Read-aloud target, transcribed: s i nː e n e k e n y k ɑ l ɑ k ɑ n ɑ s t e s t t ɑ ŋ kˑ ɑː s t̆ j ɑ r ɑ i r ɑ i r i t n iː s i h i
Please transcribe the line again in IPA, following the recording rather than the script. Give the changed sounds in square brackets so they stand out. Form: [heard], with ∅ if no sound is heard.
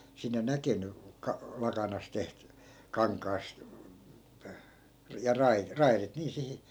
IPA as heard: s i nː e n [æ] k e n y k ɑ l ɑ k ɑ n ɑ s t e [h] t [k] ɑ ŋ kˑ ɑː s t̆ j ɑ r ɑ i r ɑ i r i t n iː s i h i